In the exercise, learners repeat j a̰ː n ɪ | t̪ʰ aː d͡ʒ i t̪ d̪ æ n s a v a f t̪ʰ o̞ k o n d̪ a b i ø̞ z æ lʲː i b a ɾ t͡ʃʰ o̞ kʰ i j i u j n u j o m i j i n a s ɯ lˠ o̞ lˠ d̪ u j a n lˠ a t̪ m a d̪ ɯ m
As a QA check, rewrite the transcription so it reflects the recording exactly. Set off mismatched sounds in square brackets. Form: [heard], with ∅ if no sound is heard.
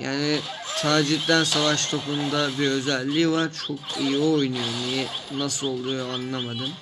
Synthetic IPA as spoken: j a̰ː n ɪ | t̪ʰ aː d͡ʒ i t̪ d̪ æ n s a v a [ʃ] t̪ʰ o̞ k [u] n d̪ a b i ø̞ z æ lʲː i [v] a ɾ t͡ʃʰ o̞ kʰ i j i [o] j n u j o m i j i n a s ɯ lˠ o̞ lˠ d̪ u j a n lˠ a [∅] m a d̪ ɯ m